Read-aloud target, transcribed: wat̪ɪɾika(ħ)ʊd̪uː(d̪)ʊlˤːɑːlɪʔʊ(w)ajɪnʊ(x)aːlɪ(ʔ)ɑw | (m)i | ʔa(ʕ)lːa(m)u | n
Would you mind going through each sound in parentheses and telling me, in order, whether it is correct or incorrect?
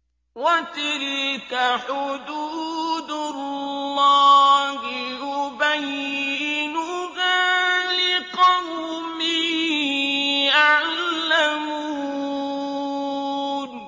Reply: correct, correct, incorrect: b, incorrect: ɣ, incorrect: q, correct, correct, correct

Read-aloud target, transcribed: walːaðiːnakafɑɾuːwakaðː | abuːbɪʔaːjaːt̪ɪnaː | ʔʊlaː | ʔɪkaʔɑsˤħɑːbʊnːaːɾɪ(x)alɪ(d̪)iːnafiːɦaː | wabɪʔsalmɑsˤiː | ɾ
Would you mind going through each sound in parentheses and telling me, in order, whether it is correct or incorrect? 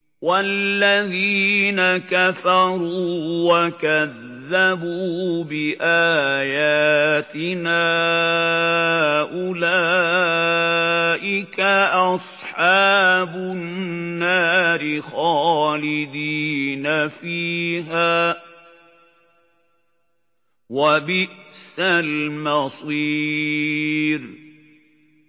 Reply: correct, correct

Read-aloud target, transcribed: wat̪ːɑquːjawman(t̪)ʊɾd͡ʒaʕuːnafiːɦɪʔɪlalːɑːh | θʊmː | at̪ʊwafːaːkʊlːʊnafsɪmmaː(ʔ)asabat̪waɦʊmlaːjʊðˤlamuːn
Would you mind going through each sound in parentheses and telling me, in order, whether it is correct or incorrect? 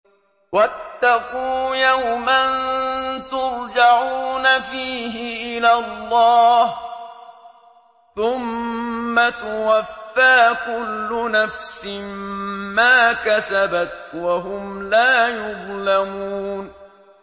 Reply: correct, incorrect: k

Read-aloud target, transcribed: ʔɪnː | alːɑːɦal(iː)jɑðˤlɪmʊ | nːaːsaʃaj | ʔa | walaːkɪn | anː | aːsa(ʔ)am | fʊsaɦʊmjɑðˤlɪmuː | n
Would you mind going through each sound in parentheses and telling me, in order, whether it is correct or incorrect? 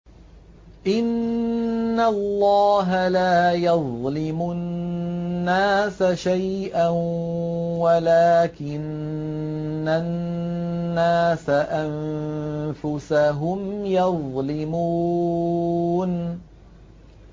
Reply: incorrect: aː, correct

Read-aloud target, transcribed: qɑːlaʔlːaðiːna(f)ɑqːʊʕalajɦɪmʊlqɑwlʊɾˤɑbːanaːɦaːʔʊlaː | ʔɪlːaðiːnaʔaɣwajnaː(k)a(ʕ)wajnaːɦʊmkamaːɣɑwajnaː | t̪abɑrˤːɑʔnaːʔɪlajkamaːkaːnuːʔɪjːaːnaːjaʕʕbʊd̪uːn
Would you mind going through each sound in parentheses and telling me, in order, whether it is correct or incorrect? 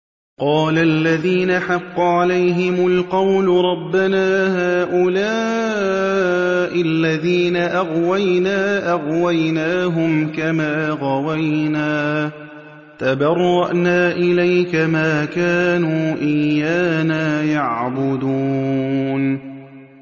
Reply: incorrect: ħ, incorrect: ʔ, incorrect: ɣ

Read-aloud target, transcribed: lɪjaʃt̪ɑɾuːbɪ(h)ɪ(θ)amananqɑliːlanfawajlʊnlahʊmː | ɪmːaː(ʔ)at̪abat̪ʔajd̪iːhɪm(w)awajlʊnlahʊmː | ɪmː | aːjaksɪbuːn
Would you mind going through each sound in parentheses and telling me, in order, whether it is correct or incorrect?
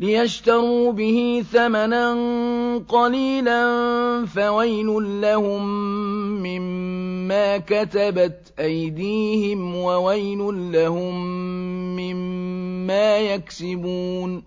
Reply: correct, correct, incorrect: k, correct

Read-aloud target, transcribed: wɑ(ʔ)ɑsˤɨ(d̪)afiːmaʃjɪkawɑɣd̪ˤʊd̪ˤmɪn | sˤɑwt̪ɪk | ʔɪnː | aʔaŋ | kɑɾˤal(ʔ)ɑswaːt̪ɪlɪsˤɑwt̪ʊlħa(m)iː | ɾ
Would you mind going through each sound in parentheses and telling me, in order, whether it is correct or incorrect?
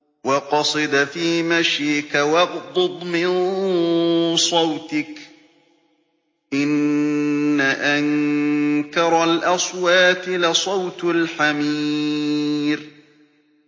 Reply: incorrect: q, correct, correct, correct

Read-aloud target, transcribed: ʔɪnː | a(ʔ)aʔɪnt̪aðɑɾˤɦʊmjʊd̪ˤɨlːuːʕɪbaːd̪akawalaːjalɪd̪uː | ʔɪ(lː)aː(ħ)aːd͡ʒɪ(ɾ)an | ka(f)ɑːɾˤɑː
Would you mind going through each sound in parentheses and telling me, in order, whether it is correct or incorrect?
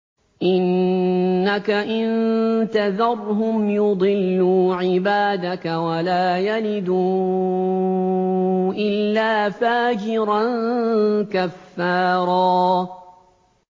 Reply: incorrect: k, correct, incorrect: f, correct, incorrect: fː

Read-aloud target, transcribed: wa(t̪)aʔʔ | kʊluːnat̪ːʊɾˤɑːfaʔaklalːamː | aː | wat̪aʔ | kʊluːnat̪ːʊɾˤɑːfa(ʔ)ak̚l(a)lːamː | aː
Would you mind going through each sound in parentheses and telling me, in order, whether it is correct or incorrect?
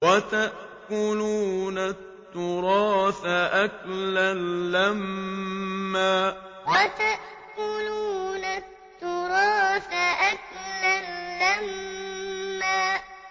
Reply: correct, correct, correct

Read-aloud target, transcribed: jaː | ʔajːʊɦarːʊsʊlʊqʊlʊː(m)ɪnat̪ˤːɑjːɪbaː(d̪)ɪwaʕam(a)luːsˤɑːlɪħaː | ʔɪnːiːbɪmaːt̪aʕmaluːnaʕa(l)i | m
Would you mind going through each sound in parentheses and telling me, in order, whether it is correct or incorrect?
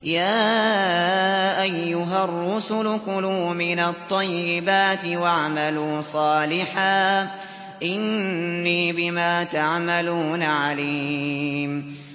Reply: correct, incorrect: t̪, correct, correct

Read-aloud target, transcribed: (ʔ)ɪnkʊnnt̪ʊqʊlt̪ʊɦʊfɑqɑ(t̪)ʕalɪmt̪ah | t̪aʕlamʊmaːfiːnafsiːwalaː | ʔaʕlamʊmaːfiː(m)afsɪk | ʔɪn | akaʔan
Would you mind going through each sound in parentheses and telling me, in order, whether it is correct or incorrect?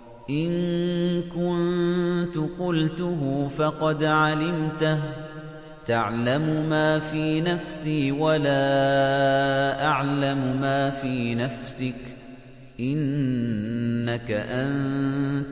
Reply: correct, incorrect: d̪, incorrect: n

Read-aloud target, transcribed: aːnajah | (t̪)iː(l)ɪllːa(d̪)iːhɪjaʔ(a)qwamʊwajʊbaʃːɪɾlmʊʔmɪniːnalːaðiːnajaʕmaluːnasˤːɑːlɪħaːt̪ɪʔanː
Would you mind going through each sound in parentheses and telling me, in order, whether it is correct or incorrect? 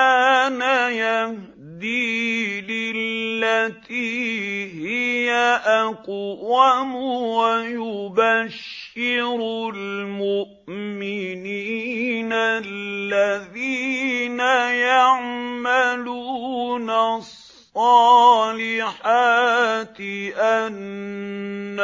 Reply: incorrect: d̪, correct, incorrect: t̪, correct

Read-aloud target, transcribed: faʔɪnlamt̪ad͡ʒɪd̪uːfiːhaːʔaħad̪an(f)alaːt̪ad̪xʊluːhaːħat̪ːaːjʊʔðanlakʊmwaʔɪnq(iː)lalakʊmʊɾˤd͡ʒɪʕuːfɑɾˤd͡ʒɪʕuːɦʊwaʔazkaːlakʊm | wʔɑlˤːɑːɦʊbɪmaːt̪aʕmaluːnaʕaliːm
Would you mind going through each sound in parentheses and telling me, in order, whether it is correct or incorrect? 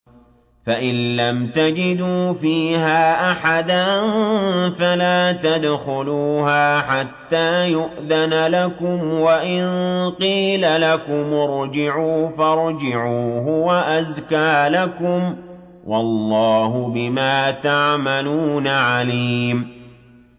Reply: correct, correct

